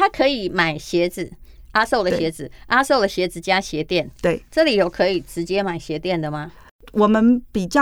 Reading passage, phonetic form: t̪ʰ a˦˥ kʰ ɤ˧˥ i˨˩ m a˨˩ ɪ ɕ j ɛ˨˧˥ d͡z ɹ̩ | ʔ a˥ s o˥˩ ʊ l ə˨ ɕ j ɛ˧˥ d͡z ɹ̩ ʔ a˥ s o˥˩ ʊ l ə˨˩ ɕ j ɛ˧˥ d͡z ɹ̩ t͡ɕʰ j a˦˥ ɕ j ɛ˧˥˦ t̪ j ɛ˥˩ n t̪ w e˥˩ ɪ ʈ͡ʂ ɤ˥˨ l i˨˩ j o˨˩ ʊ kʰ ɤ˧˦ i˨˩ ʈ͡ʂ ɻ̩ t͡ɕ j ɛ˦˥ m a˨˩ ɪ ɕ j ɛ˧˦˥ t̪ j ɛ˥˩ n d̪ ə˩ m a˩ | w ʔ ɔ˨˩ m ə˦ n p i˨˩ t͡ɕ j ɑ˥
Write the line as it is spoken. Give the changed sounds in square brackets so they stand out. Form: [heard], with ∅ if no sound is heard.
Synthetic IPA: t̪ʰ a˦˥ kʰ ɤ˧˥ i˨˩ m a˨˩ ɪ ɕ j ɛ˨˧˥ d͡z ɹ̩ | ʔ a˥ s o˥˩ ʊ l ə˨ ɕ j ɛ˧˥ d͡z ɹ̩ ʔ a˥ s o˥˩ ʊ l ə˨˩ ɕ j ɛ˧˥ d͡z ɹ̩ [t͡ɕ] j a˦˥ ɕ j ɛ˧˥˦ t̪ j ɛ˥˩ n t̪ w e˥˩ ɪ ʈ͡ʂ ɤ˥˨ l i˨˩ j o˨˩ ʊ kʰ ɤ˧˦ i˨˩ ʈ͡ʂ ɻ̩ t͡ɕ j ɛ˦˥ m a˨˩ ɪ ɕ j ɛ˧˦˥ t̪ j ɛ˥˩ n d̪ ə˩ m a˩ | w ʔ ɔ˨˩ m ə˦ n p i˨˩ t͡ɕ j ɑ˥